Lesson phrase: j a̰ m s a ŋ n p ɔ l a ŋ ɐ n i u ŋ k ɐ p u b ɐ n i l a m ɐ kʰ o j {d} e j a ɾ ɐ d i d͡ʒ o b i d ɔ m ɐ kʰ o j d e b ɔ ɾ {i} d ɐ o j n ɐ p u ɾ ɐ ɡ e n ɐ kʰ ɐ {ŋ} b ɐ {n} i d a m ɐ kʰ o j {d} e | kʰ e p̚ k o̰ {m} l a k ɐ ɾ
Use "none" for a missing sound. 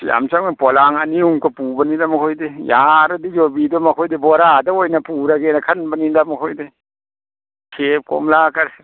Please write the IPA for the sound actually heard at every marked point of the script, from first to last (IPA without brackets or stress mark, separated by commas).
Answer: d, a, n, n, d, m